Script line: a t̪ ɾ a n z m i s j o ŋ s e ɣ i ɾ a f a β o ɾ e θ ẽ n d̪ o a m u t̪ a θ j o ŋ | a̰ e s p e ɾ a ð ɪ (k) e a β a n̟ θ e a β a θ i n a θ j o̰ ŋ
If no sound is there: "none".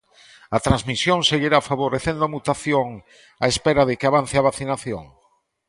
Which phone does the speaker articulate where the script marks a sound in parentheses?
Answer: k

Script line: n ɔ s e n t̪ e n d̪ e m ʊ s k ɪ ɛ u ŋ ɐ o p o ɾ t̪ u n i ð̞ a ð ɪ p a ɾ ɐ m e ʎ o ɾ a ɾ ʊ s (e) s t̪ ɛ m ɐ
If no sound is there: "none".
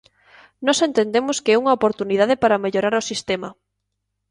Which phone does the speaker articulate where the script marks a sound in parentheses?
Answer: i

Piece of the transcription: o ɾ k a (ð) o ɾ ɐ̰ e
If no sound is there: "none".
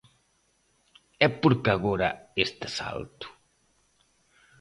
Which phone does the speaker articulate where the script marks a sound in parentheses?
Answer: ɣ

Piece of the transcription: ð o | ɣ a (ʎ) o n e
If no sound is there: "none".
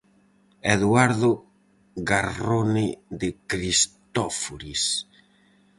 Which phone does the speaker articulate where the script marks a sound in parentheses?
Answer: r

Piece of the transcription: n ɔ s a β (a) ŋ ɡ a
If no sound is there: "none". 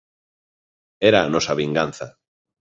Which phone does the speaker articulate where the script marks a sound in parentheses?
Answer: i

